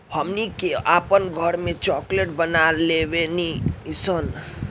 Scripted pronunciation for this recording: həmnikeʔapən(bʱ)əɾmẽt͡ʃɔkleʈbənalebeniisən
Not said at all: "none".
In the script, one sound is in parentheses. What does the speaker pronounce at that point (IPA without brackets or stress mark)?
ɡʱ